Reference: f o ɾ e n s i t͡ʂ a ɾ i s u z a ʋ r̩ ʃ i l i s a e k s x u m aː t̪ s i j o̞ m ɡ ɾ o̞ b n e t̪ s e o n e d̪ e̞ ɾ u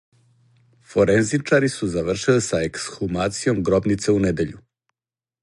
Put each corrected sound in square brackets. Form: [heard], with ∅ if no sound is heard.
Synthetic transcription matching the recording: f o ɾ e n [z] i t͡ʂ a ɾ i s u z a ʋ r̩ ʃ i l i s a e k s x u m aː t̪ s i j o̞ m ɡ ɾ o̞ b n [i] t̪ s e [u] n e d̪ e̞ [ʎ] u